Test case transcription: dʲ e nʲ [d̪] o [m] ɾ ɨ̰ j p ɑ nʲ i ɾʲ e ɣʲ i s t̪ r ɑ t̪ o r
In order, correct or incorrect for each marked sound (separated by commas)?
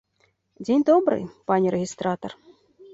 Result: correct, incorrect